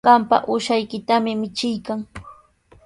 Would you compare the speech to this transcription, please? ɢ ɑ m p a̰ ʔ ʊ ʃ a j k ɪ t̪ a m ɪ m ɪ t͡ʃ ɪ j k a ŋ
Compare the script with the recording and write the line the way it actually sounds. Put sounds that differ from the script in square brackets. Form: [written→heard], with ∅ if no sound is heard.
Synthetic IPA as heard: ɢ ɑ m p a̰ ʔ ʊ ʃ a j k ɪ t̪ a m ɪ m ɪ t͡ʃ ɪ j k a ŋ